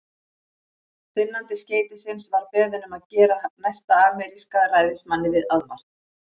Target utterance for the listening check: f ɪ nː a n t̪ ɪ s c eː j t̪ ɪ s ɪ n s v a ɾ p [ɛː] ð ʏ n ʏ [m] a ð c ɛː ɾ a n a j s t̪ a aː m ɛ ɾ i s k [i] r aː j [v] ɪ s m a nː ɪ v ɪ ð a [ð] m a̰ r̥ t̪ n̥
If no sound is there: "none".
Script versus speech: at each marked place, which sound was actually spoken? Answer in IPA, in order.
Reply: ɛː, m, a, ð, ð

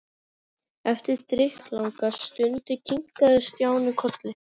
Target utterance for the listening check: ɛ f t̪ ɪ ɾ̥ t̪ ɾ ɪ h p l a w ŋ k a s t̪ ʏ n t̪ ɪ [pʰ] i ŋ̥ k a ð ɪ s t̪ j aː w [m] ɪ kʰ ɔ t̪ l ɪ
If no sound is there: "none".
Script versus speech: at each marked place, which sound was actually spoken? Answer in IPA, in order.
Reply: cʰ, n

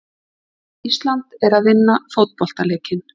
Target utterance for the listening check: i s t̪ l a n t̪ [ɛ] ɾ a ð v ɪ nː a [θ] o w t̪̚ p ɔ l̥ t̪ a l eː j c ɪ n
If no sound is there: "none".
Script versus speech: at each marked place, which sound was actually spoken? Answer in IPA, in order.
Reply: ɛ, f

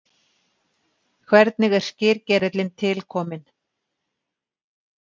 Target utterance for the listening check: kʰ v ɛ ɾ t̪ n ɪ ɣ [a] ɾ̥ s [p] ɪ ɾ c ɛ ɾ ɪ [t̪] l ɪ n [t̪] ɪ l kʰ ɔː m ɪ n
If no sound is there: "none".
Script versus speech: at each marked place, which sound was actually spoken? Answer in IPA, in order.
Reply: ɛ, c, t̪, t̪ʰ

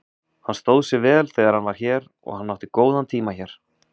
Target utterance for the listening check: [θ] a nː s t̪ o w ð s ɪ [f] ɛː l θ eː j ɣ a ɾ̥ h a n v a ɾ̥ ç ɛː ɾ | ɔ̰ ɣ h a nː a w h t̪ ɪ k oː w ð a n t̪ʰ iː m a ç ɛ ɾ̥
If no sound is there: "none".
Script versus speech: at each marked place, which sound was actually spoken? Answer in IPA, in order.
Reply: h, v

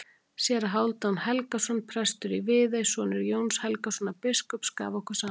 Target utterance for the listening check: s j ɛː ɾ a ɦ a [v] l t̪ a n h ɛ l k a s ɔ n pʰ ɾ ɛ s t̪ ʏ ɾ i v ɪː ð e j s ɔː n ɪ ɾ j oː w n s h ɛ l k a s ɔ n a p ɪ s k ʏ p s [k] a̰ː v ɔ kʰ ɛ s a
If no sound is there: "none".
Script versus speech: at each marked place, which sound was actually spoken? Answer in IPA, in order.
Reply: w, k

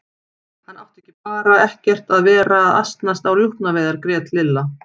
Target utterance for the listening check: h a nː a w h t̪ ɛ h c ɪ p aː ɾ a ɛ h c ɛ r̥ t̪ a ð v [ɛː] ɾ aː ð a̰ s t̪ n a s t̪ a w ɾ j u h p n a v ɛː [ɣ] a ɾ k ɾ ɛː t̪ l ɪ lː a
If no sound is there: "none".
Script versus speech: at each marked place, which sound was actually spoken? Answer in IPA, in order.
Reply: ɛː, ð

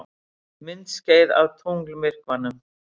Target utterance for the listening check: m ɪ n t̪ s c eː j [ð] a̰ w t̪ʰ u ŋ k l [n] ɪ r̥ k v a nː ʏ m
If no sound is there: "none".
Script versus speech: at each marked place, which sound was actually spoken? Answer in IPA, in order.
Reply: ð, m

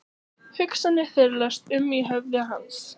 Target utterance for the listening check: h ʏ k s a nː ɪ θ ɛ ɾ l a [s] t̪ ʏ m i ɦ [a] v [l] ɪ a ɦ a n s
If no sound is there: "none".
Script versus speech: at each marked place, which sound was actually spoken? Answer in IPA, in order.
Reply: s, ɛ, l

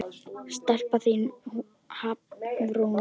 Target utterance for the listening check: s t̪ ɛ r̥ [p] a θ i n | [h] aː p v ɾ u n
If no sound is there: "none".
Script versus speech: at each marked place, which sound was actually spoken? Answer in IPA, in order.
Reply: p, h

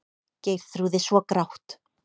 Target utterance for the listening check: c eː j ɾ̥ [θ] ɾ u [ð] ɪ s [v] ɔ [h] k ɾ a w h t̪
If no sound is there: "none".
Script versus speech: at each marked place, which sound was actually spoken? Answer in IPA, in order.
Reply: θ, ð, v, none

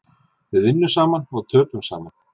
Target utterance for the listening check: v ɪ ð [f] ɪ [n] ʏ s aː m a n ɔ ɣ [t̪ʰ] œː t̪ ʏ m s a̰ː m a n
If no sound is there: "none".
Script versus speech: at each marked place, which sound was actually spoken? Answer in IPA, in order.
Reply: v, nː, t̪ʰ

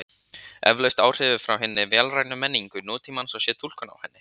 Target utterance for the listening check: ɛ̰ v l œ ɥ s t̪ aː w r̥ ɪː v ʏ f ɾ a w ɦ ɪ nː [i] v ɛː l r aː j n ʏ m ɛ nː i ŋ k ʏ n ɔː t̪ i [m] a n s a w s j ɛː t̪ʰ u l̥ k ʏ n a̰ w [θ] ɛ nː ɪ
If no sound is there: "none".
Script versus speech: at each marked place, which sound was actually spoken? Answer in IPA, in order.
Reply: ɪ, m, h

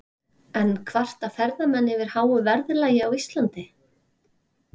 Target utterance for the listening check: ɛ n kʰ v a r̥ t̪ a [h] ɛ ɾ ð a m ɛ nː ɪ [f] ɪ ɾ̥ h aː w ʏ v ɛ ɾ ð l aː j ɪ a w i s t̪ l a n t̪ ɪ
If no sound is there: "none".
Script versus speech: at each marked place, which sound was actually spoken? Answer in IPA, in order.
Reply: f, v

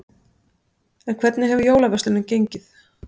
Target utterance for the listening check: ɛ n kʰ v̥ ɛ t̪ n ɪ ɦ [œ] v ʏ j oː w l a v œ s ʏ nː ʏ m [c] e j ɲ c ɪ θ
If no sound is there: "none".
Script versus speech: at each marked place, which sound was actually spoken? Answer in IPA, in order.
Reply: ɛ, c

